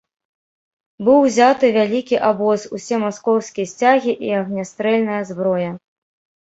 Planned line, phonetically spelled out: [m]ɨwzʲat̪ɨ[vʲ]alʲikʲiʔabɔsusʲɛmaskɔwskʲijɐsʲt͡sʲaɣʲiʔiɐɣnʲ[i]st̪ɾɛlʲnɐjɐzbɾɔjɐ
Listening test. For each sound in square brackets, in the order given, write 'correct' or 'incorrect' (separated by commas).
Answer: incorrect, correct, incorrect